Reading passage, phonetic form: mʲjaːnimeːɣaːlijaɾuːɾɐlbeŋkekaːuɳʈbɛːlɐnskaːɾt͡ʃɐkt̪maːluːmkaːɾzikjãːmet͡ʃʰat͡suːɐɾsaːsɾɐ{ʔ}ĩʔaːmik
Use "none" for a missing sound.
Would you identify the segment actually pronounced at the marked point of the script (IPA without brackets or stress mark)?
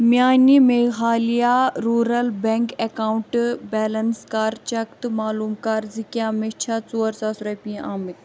p